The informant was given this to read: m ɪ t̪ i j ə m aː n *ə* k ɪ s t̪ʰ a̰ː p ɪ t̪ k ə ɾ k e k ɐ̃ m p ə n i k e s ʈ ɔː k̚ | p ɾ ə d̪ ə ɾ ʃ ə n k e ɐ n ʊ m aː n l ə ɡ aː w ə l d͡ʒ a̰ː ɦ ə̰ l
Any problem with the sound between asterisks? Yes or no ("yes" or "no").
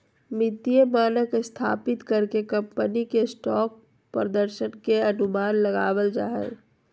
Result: no